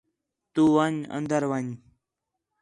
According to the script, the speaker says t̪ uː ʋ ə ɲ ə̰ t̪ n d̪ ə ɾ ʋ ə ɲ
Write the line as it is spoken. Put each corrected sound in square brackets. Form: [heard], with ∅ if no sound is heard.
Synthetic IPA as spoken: t̪ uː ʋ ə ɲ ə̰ [∅] n d̪ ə ɾ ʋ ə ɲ